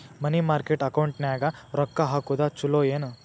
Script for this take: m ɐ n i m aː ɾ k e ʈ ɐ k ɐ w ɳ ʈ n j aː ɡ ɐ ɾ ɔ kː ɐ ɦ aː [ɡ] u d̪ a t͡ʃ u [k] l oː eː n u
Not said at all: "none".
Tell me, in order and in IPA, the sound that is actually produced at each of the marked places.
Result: k, none

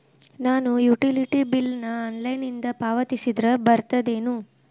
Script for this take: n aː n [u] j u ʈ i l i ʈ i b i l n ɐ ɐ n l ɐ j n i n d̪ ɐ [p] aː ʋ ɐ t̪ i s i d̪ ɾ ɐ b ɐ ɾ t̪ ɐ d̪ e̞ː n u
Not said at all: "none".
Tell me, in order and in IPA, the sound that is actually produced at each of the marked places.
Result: u, p

